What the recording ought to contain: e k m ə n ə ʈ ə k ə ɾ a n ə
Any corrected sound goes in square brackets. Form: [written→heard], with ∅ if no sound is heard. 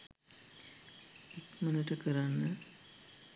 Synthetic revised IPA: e k m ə n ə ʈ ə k ə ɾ a [n→nː] ə